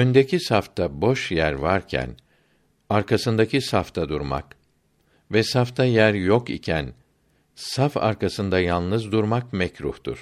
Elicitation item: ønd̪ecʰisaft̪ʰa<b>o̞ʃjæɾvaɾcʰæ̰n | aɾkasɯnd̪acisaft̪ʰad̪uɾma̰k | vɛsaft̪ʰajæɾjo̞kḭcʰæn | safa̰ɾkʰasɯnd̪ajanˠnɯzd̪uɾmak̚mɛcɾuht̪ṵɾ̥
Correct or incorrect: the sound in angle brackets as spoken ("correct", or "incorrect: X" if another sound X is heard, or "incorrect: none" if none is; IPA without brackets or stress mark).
correct